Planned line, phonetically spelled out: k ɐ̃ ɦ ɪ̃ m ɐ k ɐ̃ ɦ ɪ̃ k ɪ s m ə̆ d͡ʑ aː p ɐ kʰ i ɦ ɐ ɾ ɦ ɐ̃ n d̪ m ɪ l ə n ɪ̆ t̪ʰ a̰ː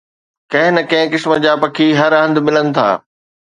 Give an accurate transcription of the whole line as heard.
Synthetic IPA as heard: k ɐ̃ ɦ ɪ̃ n ɐ k ɐ̃ ɦ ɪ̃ k ɪ s m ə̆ d͡ʑ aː p ɐ kʰ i ɦ ɐ ɾ ɦ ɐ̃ n d̪ m ɪ l ə n ɪ̆ t̪ʰ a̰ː